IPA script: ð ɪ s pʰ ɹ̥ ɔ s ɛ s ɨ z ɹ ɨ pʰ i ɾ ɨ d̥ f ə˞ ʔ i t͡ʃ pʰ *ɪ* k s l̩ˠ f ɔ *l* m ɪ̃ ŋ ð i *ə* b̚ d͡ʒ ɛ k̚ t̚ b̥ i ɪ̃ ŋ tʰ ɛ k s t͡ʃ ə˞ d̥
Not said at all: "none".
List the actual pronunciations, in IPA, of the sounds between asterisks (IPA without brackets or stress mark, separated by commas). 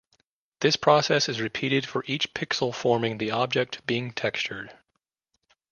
ɪ, ɹ, ɑ